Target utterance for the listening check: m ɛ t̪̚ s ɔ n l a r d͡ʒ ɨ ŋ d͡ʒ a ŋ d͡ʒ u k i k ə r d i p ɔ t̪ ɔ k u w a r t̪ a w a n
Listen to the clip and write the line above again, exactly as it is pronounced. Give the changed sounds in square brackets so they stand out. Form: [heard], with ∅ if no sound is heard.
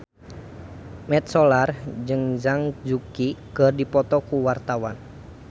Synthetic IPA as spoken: m ɛ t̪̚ s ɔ [∅] l a r d͡ʒ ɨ ŋ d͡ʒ a ŋ d͡ʒ u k i k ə r d i p ɔ t̪ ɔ k u w a r t̪ a w a n